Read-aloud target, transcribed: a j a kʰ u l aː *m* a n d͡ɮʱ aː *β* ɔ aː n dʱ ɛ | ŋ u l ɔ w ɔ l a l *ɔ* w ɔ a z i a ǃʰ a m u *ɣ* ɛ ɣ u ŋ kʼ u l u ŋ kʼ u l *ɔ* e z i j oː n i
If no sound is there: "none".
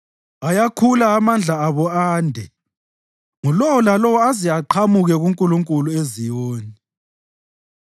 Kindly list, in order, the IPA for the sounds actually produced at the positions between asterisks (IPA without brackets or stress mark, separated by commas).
m, β, ɔ, ɣ, u